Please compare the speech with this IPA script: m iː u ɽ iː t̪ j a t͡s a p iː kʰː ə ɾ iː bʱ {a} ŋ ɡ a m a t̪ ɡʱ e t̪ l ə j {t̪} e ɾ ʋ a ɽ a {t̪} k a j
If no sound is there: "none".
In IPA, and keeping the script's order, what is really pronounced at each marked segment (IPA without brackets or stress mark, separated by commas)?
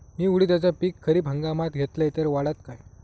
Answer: ə, t̪, t̪